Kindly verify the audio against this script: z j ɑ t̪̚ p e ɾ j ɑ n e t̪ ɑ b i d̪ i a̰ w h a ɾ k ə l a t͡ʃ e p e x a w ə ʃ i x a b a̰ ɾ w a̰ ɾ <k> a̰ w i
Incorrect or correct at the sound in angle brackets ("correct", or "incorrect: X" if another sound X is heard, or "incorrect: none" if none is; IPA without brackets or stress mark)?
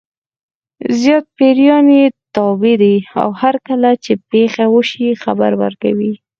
correct